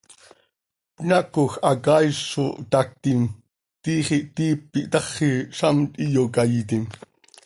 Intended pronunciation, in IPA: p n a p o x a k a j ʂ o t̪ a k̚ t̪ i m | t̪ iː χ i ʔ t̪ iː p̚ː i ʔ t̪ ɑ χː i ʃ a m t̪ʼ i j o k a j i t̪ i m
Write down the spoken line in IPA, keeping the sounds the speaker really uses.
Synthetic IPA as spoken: p n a k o x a k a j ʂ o t̪ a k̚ t̪ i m | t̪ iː χ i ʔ t̪ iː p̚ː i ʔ t̪ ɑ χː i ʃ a m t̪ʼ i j o k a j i t̪ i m